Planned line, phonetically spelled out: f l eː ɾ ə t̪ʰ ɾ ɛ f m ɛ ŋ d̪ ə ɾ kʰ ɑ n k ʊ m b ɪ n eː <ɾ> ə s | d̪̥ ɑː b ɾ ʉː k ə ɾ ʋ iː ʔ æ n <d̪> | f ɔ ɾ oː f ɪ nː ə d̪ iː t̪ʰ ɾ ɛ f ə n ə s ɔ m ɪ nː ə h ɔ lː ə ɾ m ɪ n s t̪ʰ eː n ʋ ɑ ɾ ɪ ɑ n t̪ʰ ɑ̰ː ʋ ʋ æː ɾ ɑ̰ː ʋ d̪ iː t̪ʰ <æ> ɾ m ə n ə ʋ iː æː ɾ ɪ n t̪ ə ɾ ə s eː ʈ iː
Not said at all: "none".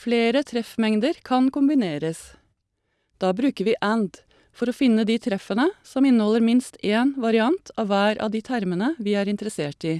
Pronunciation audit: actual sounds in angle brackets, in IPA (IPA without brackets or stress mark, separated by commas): ɾ, d̪, æ